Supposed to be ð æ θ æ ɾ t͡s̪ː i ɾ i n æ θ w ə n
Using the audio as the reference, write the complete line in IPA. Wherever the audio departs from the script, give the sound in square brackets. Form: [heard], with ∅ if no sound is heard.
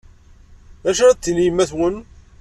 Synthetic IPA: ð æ [ʃ] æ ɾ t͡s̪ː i [l] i [m] æ θ w ə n